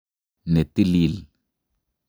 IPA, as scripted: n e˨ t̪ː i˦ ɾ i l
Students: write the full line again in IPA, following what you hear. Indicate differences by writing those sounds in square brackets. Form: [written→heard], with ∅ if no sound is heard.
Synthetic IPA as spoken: n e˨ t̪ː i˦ [ɾ→l] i l